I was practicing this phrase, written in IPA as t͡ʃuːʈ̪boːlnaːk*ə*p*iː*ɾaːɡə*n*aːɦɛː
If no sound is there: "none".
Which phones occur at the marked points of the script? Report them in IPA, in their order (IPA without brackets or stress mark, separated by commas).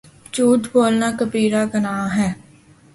ə, iː, n